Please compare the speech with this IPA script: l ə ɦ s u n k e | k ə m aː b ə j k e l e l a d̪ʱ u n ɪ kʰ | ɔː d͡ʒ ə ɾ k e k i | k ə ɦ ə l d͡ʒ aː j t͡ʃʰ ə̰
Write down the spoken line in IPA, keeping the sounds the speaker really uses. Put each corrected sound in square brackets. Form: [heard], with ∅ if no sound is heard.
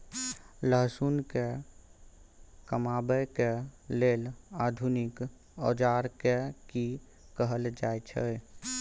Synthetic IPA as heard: l ə ɦ s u n k e | k ə m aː b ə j k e l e l a d̪ʱ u n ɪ [k] | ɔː d͡ʒ [a] ɾ k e k i | k ə ɦ ə l d͡ʒ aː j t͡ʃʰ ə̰